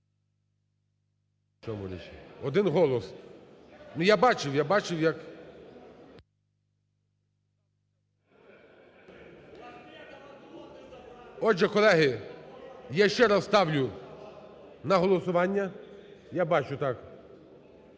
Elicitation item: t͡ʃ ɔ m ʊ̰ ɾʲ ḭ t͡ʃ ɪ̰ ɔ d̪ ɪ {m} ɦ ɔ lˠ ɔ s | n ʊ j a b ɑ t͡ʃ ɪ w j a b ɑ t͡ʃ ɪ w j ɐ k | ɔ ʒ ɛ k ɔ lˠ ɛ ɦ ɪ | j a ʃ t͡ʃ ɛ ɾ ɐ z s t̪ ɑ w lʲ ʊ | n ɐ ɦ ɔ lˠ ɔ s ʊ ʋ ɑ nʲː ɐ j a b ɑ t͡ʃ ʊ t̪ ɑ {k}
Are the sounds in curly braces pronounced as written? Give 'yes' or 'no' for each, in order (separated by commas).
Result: no, yes